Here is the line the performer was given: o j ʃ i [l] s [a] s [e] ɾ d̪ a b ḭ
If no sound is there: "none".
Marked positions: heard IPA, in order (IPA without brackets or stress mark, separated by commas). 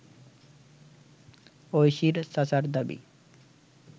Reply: ɾ, a, a